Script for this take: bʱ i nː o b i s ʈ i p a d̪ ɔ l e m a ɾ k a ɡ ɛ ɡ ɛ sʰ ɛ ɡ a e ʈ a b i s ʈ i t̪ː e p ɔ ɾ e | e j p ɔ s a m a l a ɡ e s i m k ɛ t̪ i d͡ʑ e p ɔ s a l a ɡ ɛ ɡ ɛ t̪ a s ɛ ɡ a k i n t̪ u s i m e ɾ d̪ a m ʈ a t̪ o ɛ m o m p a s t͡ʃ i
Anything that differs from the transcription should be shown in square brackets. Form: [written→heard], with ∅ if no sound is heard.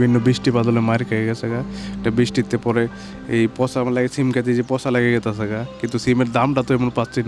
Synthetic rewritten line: bʱ i nː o b i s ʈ i p a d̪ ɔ l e m a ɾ k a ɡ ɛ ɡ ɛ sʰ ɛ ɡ a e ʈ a b i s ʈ i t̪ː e p ɔ ɾ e | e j p ɔ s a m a l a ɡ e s i m k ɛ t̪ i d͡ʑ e p ɔ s a l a ɡ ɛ ɡ ɛ t̪ a s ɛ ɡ a k i n t̪ u s i m e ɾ d̪ a m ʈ a t̪ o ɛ m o [m→n] p a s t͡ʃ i